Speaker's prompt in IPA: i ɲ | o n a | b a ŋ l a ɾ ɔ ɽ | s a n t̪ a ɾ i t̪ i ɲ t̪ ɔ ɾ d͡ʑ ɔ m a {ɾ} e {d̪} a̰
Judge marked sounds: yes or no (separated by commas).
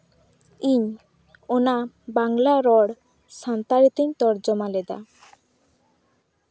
no, yes